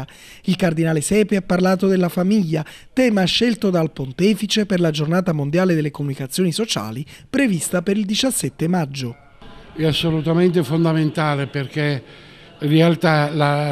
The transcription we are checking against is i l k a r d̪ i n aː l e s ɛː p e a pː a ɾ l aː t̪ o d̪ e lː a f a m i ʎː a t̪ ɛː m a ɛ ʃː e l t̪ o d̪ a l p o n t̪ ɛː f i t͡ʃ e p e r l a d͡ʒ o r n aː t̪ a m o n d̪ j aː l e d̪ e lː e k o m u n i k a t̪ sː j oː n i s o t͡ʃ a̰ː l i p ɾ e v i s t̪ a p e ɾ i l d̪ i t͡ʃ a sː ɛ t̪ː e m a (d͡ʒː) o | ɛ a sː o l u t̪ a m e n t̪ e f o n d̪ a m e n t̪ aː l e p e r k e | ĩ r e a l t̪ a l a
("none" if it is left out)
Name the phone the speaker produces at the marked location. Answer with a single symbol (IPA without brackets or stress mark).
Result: d͡ʒː